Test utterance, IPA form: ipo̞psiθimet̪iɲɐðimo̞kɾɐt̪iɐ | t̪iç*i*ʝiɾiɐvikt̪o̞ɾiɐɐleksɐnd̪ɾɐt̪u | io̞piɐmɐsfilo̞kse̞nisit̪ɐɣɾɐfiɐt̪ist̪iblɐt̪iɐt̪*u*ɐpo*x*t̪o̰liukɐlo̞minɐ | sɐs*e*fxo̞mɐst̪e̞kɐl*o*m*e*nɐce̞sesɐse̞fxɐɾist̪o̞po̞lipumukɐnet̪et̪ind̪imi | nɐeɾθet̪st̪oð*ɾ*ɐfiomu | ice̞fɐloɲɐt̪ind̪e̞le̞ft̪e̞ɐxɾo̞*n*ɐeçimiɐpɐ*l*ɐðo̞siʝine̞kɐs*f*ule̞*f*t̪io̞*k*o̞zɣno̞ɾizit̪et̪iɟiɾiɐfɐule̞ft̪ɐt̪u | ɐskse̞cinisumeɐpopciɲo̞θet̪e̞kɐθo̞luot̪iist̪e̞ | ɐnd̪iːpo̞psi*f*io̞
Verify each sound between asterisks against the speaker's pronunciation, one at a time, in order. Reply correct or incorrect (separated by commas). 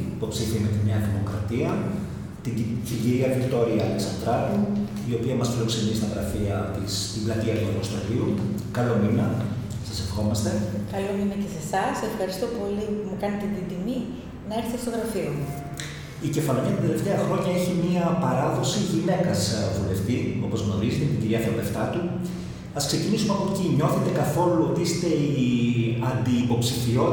correct, correct, incorrect, correct, correct, incorrect, correct, incorrect, incorrect, incorrect, correct, incorrect, correct